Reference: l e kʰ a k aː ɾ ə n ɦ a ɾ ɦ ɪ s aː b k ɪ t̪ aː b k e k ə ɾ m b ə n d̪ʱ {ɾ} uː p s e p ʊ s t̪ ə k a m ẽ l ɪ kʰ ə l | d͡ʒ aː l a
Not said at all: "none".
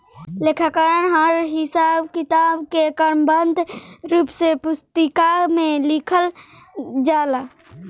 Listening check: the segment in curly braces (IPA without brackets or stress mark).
ɾ